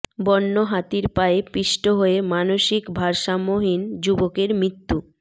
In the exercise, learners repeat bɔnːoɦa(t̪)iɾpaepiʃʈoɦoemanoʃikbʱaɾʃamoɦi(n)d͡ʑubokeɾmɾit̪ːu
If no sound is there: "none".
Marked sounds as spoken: t̪, n

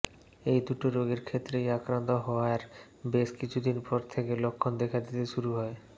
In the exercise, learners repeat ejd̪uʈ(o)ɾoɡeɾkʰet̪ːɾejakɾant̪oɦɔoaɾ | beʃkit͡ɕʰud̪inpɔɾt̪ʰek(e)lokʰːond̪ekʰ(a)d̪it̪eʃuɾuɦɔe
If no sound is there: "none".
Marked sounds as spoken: o, e, a

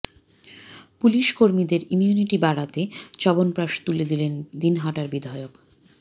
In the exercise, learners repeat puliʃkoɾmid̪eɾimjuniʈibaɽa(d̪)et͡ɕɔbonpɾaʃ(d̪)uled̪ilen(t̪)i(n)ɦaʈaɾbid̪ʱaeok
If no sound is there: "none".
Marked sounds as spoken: t̪, t̪, d̪, n

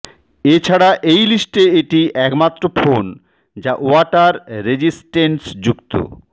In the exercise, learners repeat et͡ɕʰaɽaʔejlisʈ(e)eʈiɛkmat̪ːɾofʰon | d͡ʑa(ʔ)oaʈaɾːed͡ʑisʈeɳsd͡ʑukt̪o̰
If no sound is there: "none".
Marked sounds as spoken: e, ʔ

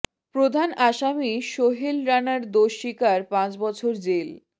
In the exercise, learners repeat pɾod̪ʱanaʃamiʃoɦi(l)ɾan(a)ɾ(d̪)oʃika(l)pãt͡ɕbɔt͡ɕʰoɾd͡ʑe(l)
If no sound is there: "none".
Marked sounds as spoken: l, a, d̪, ɾ, l

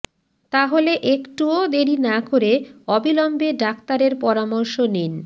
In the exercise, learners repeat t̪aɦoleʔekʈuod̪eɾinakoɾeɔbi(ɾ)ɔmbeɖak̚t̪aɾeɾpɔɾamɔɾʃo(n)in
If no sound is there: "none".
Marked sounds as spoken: l, n

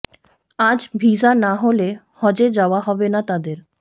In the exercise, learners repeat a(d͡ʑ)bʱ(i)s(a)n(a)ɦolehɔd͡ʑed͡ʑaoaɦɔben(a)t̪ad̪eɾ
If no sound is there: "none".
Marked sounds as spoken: d͡ʑ, i, a, a, a

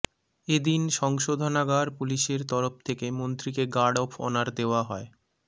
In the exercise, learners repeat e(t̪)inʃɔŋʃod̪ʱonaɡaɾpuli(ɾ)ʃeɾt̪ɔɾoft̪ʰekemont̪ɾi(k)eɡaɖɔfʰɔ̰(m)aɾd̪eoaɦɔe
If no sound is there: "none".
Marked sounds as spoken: d̪, none, k, n

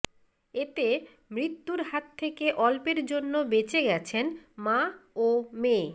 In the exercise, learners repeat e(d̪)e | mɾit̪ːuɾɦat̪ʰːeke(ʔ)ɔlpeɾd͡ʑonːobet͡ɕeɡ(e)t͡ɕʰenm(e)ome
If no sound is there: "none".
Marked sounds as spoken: t̪, ʔ, ɛ, a

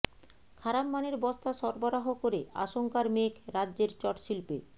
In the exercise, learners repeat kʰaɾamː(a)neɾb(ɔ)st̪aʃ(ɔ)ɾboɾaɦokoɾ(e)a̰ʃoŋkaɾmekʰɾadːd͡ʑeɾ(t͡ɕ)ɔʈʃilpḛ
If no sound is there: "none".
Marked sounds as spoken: a, ɔ, ɔ, e, t͡ɕ

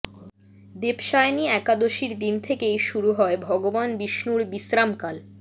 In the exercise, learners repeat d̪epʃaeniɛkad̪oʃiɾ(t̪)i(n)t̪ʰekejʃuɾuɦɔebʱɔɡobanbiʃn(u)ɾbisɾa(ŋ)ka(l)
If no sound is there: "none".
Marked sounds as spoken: d̪, n, u, m, l

